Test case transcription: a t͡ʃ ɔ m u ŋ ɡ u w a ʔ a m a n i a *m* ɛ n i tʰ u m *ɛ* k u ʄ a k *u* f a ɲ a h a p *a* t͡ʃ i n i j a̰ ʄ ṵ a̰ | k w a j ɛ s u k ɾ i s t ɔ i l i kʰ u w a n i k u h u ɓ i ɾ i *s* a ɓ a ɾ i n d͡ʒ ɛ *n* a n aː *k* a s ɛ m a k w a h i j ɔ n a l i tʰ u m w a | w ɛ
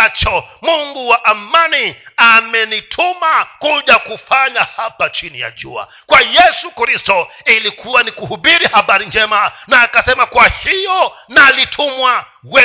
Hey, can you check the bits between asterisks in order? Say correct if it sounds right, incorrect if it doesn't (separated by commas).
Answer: correct, incorrect, correct, correct, incorrect, incorrect, correct